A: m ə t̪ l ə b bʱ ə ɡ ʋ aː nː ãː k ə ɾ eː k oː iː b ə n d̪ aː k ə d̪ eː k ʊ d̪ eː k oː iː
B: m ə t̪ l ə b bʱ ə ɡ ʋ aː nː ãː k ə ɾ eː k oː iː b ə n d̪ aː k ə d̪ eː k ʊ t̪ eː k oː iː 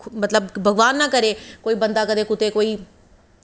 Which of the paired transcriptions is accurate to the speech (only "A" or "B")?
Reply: B